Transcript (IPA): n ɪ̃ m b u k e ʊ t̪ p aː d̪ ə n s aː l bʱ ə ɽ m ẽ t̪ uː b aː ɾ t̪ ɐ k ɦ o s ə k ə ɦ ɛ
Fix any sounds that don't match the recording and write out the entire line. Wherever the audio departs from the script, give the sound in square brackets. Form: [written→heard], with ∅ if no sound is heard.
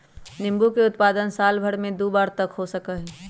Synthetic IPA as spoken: n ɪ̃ m b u k e ʊ t̪ p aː d̪ ə n s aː l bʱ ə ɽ m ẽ [t̪→d̪] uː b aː ɾ t̪ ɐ k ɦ o s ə k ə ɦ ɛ